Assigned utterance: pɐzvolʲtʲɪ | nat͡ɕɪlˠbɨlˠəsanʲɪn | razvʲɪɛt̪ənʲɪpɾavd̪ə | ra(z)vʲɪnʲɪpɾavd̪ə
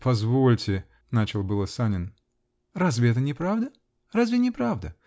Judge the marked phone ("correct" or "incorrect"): correct